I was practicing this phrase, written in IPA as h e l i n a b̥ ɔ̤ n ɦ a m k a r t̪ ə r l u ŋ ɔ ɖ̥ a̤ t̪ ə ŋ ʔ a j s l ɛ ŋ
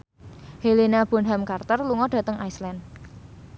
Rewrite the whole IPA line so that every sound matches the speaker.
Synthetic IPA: h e l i n a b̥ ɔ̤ n ɦ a m k a r t̪ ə r l u ŋ ɔ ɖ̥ a̤ t̪ ə ŋ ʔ a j s l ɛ n

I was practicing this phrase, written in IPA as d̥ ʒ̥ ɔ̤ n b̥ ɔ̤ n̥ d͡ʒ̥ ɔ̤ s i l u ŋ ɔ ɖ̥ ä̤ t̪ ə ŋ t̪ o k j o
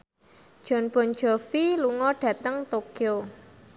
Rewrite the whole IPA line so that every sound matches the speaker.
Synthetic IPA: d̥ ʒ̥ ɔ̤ n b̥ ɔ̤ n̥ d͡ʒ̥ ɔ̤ f i l u ŋ ɔ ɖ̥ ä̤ t̪ ə ŋ t̪ o k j o

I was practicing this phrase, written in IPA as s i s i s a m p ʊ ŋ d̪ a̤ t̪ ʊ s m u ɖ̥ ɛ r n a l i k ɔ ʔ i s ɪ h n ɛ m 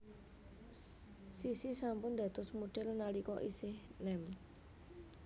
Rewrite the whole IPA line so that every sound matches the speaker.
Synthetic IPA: s i s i s a m p ʊ n d̪ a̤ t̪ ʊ s m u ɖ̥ ɛ l n a l i k ɔ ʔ i s ɪ h n ɛ m

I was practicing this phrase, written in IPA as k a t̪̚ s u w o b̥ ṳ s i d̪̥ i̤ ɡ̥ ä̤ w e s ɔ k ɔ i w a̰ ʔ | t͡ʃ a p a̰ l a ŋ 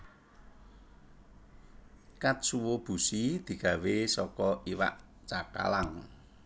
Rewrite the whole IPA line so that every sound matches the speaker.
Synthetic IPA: k a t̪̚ s u w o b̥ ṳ s i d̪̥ i̤ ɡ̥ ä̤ w e s ɔ k ɔ i w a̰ ʔ | t͡ʃ a k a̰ l a ŋ

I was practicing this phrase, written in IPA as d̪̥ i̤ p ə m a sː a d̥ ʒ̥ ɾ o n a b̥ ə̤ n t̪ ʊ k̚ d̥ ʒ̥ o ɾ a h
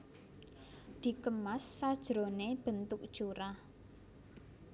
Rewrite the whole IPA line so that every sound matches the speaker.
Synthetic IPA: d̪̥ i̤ k ə m a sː a d̥ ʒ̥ ɾ o n e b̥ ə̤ n t̪ ʊ k̚ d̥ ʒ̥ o ɾ a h

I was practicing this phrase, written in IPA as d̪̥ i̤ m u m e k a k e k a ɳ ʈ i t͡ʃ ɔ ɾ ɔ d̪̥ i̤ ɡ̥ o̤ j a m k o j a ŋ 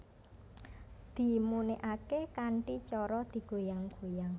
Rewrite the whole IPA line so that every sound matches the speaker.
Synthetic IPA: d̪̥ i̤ m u n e ʔ a k e k a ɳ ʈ i t͡ʃ ɔ ɾ ɔ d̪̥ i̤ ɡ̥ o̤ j a ŋ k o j a ŋ

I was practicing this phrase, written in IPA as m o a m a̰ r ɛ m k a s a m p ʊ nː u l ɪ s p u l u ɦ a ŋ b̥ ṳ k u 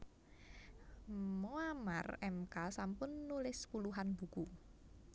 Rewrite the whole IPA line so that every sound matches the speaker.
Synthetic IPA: m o a m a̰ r ɛ m k a s a m p ʊ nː u l ɪ s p u l u ɦ a n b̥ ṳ k u

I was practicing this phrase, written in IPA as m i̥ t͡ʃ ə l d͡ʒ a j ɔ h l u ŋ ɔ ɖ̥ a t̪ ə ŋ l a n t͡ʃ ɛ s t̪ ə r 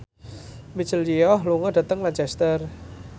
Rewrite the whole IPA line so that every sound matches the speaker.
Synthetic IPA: m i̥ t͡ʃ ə l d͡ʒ i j ɔ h l u ŋ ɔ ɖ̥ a t̪ ə ŋ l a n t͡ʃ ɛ s t̪ ə r

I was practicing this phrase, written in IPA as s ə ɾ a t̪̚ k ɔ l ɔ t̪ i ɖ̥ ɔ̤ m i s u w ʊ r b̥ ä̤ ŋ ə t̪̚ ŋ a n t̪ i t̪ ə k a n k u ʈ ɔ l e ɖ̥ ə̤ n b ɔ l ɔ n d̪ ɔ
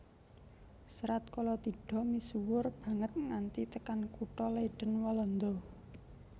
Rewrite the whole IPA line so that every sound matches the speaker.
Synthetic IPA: s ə ɾ a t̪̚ k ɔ l ɔ t̪ i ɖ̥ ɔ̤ m i s u w ʊ r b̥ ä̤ ŋ ə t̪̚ ŋ a n t̪ i t̪ ə k a n k u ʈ ɔ l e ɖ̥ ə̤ n w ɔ l ɔ n d̪ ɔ

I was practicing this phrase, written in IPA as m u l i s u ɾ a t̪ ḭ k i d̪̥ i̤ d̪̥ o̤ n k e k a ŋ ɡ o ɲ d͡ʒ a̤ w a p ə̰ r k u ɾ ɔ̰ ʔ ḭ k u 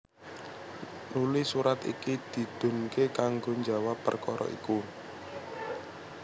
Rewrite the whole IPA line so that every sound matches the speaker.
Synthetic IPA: n u l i s u ɾ a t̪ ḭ k i d̪̥ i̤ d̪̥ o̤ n k e k a ŋ ɡ o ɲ d͡ʒ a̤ w a p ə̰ r k ɔ ɾ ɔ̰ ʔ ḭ k u

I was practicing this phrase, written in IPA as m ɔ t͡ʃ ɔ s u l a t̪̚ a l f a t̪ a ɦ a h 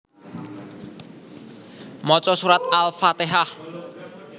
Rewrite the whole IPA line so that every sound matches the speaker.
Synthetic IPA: m ɔ t͡ʃ ɔ s u ɾ a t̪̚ a l f a t̪ e ɦ a h

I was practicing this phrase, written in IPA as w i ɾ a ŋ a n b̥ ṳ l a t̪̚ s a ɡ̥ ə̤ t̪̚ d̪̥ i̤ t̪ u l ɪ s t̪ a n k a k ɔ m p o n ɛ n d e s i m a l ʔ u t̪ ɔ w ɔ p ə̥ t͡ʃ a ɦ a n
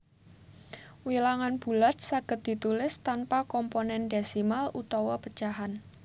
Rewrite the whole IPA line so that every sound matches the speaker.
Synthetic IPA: w i l a ŋ a n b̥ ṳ l a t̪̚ s a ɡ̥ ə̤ t̪̚ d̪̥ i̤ t̪ u l ɪ s t̪ a n p a k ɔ m p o n ɛ n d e s i m a l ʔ u t̪ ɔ w ɔ p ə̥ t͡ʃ a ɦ a n

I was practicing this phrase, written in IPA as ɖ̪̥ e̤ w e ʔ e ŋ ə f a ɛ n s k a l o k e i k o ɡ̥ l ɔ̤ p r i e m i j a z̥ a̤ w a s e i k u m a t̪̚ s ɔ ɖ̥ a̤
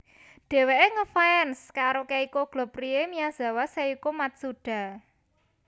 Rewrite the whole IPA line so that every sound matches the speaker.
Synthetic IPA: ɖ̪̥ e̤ w e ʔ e ŋ ə f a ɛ n s k a ɾ o k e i k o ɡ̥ l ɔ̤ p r i e m i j a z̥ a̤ w a s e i k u m a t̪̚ s u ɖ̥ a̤

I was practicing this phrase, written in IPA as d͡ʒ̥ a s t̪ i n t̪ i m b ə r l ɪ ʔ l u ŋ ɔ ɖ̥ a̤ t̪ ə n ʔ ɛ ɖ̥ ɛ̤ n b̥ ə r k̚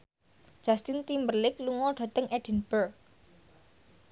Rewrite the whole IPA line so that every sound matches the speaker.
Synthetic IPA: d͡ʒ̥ a s t̪ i n t̪ i m b ə r l ɪ k l u ŋ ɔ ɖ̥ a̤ t̪ ə ŋ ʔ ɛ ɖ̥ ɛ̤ n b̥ ə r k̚

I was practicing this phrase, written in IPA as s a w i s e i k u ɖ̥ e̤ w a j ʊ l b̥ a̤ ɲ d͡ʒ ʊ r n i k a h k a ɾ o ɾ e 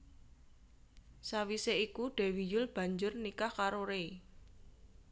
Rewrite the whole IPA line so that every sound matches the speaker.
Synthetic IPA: s a w i s e i k u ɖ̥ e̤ w i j ʊ l b̥ a̤ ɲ d͡ʒ ʊ r n i k a h k a ɾ o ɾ e

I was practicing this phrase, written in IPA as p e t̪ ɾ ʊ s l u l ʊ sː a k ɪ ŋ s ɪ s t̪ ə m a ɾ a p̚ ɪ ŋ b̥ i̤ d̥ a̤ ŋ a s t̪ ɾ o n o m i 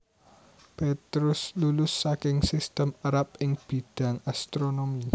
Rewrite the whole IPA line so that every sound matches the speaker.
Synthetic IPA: p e t̪ ɾ ʊ s l u l ʊ sː a k ɪ ŋ s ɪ s t̪ ə m a ɾ a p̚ ɪ ŋ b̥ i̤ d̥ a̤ ŋ a s t̪ ɾ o n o m i

